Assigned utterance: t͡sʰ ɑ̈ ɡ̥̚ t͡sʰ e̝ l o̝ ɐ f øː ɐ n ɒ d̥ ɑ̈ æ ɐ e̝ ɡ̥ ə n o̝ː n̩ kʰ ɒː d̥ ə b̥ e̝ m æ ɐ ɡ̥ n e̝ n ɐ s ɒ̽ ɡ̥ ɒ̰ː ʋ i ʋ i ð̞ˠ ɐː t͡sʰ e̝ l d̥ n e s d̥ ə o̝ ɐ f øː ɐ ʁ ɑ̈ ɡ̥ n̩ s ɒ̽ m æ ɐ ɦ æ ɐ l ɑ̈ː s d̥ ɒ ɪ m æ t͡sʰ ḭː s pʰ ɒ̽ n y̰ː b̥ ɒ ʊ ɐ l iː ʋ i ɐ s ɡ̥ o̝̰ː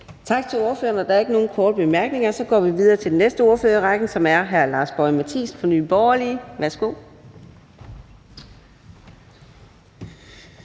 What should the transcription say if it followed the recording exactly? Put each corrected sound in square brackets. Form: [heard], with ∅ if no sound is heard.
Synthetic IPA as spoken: t͡sʰ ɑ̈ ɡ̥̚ t͡sʰ e̝ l o̝ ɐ f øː ɐ n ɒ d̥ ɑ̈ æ ɐ e̝ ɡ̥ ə n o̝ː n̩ kʰ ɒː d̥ ə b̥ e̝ m æ ɐ ɡ̥ n e̝ [ŋ] ɐ s ɒ̽ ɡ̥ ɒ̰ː ʋ i ʋ i ð̞ˠ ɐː t͡sʰ e̝ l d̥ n e s d̥ ə o̝ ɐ f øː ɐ ʁ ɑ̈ ɡ̥ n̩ s ɒ̽ m æ ɐ ɦ æ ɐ l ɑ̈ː s [b̥] ɒ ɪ m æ t͡sʰ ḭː s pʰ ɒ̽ n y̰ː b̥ ɒ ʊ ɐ l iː ʋ [æ] ɐ s ɡ̥ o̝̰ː